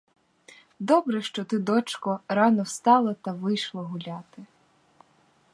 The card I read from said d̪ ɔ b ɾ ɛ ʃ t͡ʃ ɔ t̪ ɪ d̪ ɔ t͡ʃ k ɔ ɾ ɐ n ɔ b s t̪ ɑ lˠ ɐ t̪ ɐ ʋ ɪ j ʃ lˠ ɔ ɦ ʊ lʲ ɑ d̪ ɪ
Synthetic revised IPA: d̪ ɔ b ɾ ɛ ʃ t͡ʃ ɔ t̪ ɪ d̪ ɔ t͡ʃ k ɔ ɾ ɑ n ɔ w s t̪ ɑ lˠ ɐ t̪ ɐ ʋ ɪ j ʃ lˠ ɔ ɦ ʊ lʲ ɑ t̪ ɪ